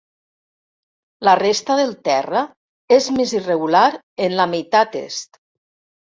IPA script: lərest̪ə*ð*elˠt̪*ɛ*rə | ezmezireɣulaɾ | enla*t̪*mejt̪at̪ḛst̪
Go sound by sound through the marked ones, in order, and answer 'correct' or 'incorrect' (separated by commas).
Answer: correct, correct, incorrect